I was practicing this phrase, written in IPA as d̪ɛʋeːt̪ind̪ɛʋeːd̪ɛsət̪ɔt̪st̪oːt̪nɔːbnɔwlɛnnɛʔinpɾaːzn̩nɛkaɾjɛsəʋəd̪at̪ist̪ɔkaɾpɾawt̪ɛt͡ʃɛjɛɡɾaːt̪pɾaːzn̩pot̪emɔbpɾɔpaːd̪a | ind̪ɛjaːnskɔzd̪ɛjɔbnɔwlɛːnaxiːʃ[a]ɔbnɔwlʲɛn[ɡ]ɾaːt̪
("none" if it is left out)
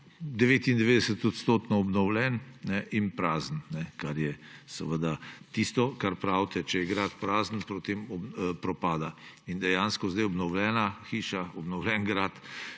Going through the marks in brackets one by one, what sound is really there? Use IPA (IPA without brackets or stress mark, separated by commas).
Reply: a, ɡ